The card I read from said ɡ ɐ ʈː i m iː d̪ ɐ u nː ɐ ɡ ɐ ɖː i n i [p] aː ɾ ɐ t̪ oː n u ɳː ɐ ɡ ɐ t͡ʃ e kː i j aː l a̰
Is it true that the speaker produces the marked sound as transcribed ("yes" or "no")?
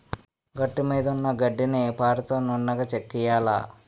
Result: yes